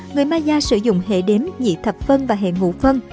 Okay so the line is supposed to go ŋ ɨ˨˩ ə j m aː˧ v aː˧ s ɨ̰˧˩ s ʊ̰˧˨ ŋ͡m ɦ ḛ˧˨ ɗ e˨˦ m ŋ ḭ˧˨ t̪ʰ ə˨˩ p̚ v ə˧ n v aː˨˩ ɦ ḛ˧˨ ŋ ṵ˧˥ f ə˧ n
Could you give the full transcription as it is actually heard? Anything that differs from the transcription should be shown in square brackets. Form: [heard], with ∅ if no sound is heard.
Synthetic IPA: ŋ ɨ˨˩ ə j m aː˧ [z] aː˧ s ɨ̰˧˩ [z] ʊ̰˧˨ ŋ͡m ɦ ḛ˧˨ ɗ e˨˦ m [ɲ] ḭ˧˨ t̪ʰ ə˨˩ p̚ [f] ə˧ n v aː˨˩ ɦ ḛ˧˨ ŋ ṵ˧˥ f ə˧ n